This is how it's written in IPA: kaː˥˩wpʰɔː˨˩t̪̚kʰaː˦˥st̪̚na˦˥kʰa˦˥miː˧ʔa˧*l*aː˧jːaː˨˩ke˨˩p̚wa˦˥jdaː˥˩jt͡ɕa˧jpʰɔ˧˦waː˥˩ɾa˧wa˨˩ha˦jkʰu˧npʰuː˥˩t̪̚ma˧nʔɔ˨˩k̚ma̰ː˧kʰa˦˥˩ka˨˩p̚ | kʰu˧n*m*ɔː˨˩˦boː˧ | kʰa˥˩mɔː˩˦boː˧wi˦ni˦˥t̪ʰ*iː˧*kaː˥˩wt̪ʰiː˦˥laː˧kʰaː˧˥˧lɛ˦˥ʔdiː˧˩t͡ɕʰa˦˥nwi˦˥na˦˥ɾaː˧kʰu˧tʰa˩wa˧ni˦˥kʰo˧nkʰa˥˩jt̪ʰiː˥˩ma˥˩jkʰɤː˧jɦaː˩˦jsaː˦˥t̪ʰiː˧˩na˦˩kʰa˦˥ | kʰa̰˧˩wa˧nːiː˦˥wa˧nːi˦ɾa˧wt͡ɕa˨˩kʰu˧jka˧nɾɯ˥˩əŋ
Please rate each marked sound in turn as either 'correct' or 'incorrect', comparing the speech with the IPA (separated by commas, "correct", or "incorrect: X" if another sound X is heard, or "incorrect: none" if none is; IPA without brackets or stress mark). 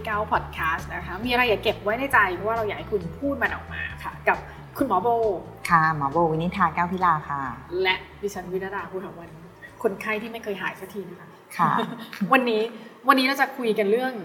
incorrect: ɾ, correct, incorrect: aː˧